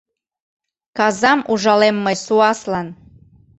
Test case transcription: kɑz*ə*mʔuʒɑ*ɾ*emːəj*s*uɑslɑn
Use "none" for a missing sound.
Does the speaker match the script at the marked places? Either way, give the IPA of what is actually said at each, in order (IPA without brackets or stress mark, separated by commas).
ɑ, l, s